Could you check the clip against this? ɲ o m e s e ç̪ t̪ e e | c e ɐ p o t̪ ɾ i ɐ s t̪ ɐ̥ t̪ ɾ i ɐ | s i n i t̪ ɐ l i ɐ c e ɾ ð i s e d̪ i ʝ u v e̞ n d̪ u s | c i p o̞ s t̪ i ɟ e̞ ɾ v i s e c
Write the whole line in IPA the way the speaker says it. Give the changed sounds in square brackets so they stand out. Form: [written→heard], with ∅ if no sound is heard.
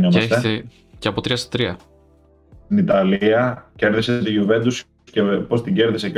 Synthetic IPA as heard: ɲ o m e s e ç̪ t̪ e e | c e ɐ p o t̪ ɾ i ɐ s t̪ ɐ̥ t̪ ɾ i ɐ | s i n i t̪ ɐ l i ɐ c e ɾ ð i s e [d̪→t̪] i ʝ u v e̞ n d̪ u s | c [i→e] p o̞ s t̪ i ɟ e̞ ɾ [v→ð] i s e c